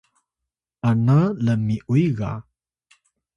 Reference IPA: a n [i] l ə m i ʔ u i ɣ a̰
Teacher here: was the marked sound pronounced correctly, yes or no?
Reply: no